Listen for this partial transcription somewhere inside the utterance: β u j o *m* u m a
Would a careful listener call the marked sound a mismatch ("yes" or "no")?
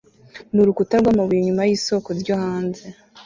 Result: yes